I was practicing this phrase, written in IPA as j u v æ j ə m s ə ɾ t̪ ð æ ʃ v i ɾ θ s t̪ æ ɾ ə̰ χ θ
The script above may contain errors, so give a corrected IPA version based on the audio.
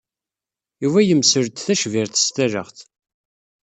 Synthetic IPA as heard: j u v æ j ə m s ə ɾ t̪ θ æ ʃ v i ɾ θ s t̪ æ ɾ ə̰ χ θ